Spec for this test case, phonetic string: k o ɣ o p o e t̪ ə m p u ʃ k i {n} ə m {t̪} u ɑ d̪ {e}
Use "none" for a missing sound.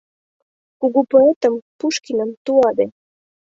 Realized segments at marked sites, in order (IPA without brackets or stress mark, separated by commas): n, t̪, e